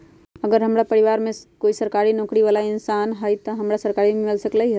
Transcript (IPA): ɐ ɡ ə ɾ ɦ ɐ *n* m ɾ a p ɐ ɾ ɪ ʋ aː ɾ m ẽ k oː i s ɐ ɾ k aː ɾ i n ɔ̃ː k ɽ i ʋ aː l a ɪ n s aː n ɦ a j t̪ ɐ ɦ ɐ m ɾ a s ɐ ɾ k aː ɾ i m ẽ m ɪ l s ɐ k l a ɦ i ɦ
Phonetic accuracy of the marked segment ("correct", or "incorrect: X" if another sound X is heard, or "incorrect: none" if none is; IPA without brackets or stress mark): incorrect: none